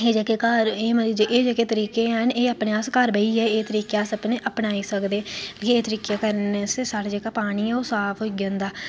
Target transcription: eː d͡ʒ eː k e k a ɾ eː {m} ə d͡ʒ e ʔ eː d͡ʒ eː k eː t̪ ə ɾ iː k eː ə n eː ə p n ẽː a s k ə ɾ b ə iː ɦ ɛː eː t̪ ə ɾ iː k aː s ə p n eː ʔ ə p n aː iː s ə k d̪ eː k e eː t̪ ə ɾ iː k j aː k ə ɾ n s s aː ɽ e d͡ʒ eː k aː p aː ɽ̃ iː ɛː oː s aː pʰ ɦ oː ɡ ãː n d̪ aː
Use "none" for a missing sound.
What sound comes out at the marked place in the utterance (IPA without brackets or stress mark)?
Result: m